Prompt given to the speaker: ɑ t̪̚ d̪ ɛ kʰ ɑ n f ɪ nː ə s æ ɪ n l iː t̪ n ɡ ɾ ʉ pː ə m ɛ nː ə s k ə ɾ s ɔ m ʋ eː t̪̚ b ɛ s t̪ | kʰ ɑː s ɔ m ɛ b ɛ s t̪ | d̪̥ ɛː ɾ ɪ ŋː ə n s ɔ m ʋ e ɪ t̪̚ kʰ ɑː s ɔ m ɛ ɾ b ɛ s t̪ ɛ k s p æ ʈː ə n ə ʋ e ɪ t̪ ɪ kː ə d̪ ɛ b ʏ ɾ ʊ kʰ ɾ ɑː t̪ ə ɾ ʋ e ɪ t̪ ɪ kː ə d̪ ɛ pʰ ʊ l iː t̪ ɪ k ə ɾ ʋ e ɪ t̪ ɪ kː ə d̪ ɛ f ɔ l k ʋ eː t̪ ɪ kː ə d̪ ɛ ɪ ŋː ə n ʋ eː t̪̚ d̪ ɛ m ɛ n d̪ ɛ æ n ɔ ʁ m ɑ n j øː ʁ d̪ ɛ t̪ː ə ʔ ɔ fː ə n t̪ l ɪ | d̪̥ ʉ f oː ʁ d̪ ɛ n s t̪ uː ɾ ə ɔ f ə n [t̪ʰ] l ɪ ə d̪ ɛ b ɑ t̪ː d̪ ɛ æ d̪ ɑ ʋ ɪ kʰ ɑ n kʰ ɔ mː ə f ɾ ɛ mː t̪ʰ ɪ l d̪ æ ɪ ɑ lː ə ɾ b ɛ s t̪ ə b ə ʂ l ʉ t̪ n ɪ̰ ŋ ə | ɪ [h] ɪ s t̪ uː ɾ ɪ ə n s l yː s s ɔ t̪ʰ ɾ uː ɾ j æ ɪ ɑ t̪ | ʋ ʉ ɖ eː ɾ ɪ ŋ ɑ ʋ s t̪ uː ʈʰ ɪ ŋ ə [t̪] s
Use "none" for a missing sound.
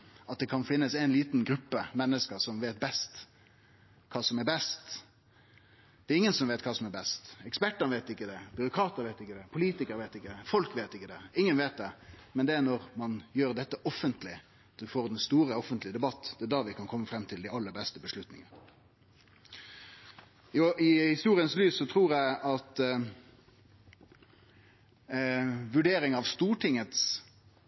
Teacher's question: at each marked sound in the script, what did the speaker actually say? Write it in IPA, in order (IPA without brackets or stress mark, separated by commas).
t̪, h, t̪